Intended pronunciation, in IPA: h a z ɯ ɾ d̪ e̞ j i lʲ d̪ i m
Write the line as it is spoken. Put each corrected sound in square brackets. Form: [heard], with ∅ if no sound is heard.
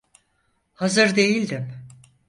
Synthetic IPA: h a z ɯ ɾ d̪ e̞ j i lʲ d̪ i m